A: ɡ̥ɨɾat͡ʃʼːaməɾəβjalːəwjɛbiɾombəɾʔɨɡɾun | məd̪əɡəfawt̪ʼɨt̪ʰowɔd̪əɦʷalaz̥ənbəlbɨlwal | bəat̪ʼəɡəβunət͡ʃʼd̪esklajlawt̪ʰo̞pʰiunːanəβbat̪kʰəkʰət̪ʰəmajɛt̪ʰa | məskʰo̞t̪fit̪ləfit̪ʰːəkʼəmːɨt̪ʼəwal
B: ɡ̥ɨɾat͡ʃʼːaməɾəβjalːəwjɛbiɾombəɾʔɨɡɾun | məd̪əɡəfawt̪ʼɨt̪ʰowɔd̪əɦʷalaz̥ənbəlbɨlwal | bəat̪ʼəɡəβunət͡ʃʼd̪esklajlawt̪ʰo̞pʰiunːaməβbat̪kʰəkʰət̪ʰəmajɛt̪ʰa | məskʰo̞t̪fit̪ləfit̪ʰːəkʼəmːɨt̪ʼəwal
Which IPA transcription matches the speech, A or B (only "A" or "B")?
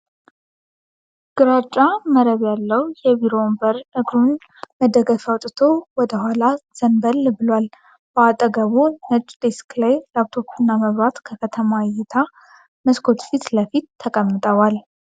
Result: B